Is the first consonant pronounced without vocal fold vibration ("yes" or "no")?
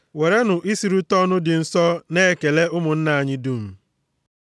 no